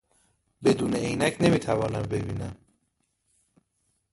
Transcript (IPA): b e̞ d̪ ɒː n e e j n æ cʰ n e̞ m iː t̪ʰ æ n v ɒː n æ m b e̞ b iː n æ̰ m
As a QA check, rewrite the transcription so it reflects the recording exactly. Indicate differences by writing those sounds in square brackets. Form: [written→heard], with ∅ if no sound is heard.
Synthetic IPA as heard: b e̞ d̪ [ɒː→uː] n e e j n æ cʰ n e̞ m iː t̪ʰ æ [n→∅] v ɒː n æ m b e̞ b iː n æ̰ m